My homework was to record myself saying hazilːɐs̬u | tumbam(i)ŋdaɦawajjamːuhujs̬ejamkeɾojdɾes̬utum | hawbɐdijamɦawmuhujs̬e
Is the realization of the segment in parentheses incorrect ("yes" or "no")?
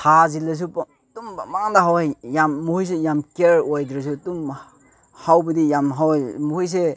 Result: yes